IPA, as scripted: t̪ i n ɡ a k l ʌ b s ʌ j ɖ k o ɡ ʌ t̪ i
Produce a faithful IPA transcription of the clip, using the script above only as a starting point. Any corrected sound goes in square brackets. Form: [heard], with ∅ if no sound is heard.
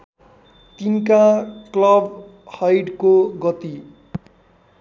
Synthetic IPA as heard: t̪ i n [k] a k l ʌ b [h] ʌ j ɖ k o ɡ ʌ t̪ i